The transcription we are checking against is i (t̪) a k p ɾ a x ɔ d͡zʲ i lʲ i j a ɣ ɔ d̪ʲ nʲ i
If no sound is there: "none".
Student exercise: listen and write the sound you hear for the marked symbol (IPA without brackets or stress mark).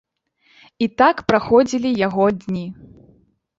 t̪